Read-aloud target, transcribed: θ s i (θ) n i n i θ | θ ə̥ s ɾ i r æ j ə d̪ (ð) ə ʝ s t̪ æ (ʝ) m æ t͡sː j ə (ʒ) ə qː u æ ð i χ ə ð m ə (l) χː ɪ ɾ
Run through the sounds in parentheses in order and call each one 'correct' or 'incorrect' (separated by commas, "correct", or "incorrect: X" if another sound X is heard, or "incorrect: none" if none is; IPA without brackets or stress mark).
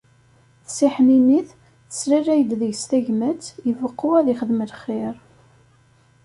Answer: incorrect: ħ, correct, correct, incorrect: v, correct